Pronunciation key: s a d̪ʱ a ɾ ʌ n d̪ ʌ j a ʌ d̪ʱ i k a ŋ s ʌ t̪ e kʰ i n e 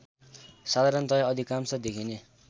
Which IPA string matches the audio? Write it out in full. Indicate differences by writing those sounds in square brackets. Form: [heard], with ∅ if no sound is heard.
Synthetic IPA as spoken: s a d̪ʱ a ɾ ʌ n [t̪] ʌ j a ʌ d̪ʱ i k a [m] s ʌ [d̪] e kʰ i n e